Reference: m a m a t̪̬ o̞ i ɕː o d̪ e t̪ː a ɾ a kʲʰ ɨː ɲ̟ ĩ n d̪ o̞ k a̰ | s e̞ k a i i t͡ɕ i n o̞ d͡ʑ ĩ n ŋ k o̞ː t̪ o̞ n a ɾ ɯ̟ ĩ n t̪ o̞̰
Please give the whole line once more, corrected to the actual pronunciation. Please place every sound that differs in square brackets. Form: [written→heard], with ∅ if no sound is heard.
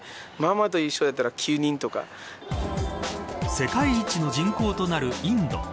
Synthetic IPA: m a m a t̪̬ o̞ i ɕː o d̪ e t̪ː a ɾ a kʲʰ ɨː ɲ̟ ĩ n [d̪→t̪] o̞ k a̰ | s e̞ k a i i t͡ɕ i n o̞ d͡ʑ ĩ [n→∅] ŋ k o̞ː t̪ o̞ n a ɾ ɯ̟ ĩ n [t̪→d̪] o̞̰